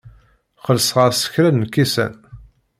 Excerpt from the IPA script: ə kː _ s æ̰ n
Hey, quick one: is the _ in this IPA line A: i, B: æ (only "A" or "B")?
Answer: A